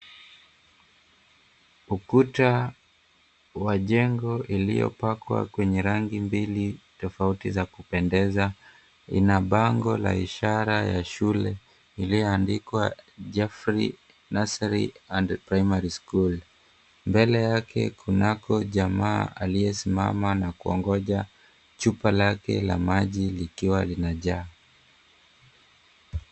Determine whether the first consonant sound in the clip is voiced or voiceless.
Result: voiceless